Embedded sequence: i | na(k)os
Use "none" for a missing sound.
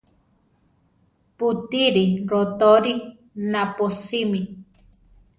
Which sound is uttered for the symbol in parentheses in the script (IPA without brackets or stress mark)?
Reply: p